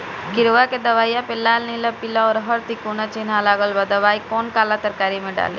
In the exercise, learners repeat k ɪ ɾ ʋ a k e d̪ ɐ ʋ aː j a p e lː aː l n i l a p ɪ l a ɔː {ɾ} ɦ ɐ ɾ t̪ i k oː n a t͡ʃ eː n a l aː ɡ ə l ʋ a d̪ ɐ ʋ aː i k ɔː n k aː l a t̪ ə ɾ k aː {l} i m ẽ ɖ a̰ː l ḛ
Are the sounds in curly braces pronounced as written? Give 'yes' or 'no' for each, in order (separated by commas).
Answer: yes, no